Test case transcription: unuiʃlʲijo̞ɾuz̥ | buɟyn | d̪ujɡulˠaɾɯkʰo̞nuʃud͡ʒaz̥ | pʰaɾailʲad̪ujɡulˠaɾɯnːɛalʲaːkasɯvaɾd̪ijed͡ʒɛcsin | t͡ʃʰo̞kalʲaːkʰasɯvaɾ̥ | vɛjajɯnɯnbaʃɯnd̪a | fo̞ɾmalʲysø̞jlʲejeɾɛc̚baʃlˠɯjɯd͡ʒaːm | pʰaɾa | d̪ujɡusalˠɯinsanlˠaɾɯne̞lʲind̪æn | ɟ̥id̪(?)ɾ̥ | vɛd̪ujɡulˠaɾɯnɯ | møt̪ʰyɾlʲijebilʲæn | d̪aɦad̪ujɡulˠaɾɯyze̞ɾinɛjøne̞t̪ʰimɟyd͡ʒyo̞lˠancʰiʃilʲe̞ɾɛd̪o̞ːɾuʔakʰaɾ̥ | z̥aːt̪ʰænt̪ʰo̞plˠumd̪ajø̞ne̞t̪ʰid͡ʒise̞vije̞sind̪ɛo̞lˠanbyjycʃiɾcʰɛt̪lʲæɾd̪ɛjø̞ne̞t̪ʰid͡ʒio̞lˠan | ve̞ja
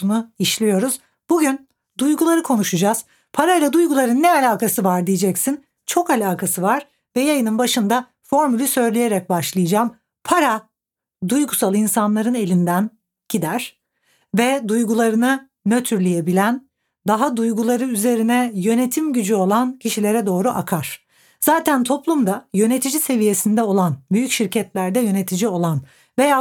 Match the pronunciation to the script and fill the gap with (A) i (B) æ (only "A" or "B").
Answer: B